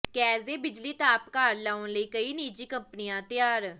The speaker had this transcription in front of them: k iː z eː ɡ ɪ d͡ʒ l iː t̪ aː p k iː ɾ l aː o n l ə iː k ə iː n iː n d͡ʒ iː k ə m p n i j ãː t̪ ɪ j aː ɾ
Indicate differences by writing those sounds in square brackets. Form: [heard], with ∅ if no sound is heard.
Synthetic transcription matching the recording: k [ɛː] z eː [b] ɪ d͡ʒ l iː t̪ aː p k [aː] ɾ l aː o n l ə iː k ə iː n iː [∅] d͡ʒ iː k ə m p n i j ãː t̪ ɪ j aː ɾ